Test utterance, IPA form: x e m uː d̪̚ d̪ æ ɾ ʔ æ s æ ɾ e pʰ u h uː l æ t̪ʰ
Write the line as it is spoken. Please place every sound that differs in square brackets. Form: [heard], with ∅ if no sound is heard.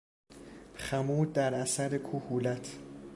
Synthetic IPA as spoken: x [æ] m uː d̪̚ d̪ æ ɾ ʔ æ s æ ɾ e [kʰ] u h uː l æ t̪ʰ